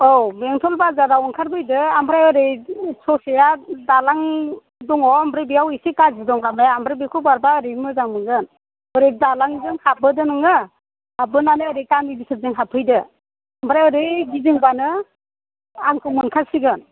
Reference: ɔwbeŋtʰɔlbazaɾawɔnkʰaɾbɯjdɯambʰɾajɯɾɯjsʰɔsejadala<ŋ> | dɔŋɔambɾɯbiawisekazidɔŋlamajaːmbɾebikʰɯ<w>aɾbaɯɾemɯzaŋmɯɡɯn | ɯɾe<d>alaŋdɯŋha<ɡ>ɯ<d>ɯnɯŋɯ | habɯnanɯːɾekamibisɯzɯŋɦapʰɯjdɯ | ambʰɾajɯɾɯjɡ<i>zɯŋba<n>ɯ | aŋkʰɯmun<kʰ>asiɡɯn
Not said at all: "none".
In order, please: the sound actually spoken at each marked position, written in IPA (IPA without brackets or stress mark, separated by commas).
ŋ, b, d, b, d, i, n, kʰ